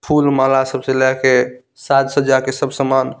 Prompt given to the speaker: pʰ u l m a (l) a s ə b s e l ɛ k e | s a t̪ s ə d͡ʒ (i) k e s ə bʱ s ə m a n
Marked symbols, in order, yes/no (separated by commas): yes, no